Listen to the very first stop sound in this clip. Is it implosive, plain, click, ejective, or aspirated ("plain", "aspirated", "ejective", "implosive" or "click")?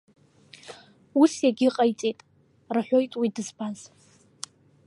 plain